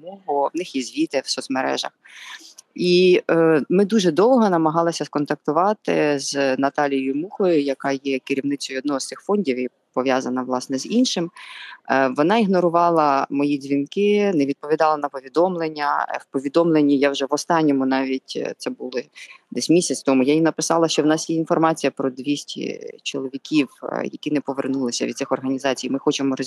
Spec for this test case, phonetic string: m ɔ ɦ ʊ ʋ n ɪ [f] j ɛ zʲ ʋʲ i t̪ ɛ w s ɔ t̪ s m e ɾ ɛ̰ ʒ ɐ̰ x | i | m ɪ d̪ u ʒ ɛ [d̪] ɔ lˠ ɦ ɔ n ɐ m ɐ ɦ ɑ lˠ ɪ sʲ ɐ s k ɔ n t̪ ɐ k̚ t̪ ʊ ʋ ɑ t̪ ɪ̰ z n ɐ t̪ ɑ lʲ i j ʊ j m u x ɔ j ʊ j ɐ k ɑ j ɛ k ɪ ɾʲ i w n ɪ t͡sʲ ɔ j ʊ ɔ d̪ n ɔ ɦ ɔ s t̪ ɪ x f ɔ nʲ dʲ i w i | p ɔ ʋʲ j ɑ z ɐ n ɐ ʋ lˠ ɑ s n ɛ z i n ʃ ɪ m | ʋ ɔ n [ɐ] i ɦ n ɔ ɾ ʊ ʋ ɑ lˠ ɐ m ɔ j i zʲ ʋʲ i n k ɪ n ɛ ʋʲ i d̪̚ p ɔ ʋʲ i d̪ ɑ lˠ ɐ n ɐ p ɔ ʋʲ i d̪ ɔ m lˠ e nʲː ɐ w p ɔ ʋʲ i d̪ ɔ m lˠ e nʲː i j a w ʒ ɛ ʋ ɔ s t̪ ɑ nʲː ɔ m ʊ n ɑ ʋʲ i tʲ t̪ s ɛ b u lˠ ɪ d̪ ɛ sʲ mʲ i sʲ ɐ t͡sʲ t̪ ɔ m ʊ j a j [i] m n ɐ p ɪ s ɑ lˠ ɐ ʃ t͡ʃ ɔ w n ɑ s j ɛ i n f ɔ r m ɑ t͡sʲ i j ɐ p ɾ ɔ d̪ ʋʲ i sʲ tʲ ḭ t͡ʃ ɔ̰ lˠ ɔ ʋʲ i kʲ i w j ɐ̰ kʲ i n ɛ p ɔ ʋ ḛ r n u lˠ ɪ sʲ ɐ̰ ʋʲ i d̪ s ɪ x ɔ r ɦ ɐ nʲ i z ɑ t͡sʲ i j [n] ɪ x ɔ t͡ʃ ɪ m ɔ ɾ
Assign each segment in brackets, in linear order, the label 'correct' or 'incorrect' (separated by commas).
incorrect, correct, incorrect, correct, incorrect